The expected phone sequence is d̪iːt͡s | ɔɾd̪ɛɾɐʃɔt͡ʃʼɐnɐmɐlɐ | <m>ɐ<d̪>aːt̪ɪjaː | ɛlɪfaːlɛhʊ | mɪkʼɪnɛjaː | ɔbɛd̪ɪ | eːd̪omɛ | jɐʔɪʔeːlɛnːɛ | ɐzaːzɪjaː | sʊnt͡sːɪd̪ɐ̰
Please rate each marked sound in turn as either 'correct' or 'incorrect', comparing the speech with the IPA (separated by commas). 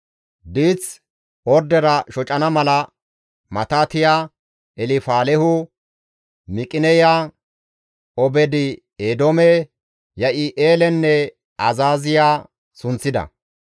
correct, incorrect